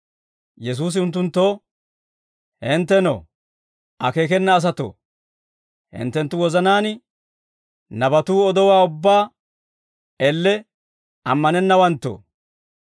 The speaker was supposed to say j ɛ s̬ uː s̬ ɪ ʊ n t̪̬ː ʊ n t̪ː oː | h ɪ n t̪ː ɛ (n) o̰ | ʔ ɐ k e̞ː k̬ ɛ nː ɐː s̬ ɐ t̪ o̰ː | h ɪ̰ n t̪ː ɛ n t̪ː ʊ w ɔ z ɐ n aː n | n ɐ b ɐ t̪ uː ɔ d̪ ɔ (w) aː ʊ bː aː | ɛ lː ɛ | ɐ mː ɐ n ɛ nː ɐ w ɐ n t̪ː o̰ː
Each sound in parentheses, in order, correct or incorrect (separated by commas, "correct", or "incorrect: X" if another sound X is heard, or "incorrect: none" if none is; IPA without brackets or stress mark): correct, correct